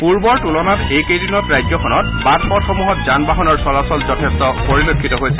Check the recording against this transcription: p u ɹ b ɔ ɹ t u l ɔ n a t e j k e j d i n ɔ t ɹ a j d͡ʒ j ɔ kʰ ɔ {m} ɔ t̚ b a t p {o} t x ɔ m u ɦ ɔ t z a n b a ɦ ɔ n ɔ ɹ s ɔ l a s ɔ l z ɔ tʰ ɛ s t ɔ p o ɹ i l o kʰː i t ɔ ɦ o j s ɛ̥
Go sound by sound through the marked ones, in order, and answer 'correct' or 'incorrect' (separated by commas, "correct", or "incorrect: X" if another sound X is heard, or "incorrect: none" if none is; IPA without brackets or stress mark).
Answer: incorrect: n, incorrect: ɔ